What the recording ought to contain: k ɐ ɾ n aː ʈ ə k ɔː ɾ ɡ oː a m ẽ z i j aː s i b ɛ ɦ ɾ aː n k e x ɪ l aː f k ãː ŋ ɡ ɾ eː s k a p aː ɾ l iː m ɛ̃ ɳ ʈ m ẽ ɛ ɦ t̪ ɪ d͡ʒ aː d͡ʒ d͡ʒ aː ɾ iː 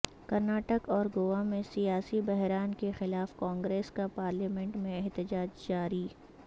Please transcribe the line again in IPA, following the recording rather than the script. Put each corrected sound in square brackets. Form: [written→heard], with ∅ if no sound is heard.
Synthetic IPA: k ɐ ɾ n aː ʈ ə k ɔː ɾ ɡ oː a m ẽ [z→s] i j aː s i b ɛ ɦ ɾ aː n k e x ɪ l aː f k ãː ŋ ɡ ɾ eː s k a p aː ɾ l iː m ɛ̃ ɳ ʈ m ẽ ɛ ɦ t̪ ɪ d͡ʒ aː d͡ʒ d͡ʒ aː ɾ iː